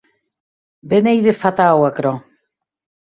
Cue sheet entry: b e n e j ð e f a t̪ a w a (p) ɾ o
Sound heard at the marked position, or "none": k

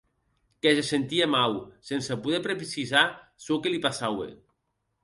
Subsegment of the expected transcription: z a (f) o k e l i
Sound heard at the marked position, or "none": s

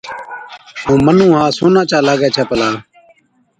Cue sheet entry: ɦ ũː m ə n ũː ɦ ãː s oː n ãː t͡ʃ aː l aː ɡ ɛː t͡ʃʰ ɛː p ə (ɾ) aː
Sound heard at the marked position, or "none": l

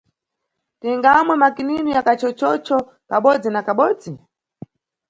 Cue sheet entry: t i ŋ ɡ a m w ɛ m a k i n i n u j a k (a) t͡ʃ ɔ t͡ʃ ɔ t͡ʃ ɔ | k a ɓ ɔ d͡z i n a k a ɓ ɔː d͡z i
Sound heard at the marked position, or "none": a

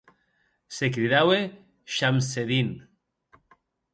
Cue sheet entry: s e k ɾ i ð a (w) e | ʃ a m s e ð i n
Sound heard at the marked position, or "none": w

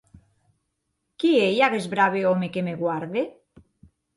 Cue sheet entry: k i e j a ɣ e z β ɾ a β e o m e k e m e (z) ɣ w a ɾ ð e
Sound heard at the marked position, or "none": none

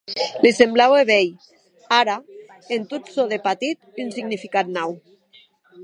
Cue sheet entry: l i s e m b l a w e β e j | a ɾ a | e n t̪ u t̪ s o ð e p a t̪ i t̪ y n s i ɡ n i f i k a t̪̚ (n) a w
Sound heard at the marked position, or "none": n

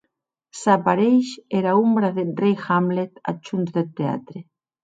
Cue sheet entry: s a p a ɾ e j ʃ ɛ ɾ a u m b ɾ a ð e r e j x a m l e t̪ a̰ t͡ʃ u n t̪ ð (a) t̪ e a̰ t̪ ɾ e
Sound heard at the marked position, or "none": e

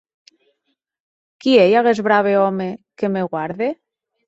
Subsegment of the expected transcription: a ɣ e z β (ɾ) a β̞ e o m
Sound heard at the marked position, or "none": ɾ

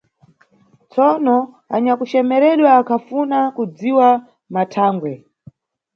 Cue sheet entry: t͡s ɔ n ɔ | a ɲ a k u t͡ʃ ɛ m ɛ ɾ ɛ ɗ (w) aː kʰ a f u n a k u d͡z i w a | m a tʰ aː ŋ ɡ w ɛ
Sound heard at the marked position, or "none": w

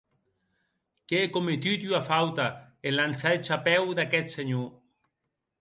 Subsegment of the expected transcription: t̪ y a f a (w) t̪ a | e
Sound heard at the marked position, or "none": w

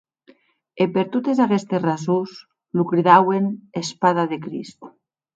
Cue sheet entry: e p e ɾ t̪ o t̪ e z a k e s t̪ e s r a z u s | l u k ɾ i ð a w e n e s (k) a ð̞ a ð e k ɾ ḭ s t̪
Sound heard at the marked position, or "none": p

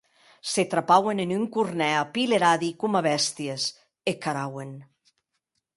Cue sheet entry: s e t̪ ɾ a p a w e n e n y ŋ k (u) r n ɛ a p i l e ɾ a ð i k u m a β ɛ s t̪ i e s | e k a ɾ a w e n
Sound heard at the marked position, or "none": u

